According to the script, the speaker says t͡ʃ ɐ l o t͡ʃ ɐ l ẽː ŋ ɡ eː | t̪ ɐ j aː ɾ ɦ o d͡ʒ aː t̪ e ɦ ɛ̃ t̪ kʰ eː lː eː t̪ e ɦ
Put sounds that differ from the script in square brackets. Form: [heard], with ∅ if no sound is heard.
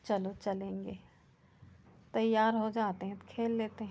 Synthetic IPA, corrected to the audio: t͡ʃ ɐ l o t͡ʃ ɐ l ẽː ŋ ɡ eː | t̪ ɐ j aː ɾ ɦ o d͡ʒ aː t̪ e ɦ ɛ̃ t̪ kʰ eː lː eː t̪ e ɦ